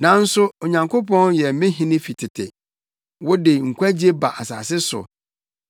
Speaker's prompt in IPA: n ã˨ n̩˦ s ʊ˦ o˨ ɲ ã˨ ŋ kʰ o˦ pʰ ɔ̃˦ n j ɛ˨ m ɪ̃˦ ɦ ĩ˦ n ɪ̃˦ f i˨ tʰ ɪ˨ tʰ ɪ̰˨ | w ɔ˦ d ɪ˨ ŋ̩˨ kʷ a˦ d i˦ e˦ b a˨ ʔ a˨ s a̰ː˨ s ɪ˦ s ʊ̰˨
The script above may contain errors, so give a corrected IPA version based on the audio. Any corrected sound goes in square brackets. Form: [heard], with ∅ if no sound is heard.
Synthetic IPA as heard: n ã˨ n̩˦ s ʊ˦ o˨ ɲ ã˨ ŋ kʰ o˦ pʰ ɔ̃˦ n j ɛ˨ m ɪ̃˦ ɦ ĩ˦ n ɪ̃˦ f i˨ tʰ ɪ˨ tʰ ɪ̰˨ | w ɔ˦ d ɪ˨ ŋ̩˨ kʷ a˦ [d͡ʑ] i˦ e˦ b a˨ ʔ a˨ s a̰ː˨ s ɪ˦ s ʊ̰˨